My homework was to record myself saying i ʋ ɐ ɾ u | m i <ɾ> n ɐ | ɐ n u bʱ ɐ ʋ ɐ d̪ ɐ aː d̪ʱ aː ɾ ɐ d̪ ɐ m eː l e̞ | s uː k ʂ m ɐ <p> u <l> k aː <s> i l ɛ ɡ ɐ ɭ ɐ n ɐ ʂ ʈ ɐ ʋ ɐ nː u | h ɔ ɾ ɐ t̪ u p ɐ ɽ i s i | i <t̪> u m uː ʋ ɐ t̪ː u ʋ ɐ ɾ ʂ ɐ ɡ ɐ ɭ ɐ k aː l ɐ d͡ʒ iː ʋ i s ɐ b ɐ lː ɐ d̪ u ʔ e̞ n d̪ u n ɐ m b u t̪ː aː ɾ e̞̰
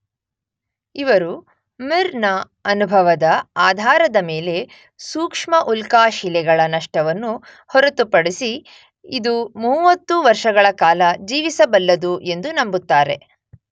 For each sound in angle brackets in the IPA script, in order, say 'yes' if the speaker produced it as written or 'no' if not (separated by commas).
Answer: yes, no, yes, no, no